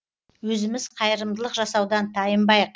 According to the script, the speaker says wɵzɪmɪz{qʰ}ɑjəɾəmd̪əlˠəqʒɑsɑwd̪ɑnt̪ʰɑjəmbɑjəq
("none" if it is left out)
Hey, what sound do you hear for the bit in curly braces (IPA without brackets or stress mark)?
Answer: qʰ